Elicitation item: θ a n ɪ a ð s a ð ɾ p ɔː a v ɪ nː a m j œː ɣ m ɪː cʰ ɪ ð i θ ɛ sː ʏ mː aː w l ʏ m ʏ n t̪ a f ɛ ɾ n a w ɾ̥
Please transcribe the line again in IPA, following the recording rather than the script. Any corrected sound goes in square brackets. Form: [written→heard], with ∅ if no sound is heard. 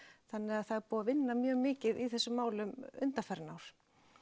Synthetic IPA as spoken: θ a [n→nː] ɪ a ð [s→θ] a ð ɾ p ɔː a v ɪ nː a m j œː ɣ m ɪː [cʰ→c] ɪ ð i θ ɛ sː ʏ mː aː w l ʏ m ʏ n t̪ a f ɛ ɾ n a w ɾ̥